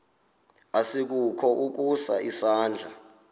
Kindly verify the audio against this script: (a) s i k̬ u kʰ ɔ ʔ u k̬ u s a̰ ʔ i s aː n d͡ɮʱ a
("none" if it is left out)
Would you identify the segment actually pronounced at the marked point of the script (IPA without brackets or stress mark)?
a